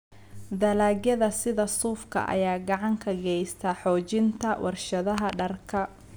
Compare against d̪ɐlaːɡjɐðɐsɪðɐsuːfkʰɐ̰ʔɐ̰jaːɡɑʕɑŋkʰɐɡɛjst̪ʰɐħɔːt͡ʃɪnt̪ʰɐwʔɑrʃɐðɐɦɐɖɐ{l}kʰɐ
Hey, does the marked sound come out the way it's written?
no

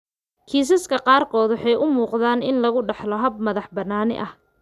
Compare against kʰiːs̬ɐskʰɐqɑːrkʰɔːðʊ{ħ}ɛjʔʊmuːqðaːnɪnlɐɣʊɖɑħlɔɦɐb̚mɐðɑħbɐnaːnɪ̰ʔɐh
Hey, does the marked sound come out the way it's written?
yes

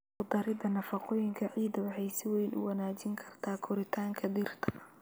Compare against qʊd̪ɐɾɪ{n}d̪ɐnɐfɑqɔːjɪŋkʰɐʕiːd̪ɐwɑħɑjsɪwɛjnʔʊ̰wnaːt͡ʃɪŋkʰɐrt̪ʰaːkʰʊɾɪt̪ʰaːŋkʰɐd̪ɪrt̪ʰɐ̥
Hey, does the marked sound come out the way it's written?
no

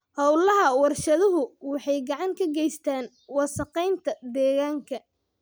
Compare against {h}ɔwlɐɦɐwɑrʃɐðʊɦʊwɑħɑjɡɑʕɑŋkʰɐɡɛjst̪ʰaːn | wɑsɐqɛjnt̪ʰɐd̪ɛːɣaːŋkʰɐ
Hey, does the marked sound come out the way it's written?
yes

